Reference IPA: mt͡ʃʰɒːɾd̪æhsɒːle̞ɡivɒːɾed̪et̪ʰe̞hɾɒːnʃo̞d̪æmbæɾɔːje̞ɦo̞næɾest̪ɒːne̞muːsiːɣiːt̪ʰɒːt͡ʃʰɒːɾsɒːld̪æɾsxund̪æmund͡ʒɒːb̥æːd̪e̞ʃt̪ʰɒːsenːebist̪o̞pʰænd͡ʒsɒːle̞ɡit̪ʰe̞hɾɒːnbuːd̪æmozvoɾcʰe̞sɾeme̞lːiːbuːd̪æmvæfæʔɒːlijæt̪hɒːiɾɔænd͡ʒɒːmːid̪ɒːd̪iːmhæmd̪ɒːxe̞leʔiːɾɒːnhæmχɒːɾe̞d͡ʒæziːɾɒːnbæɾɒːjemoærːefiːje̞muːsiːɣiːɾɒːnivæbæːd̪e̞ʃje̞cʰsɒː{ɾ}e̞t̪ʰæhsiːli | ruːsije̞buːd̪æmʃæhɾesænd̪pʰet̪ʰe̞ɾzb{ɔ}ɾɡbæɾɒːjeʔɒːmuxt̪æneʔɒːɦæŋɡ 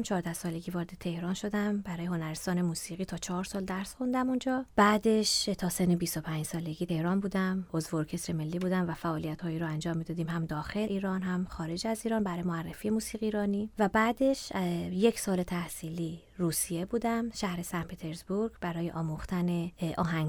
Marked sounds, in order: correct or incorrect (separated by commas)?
incorrect, incorrect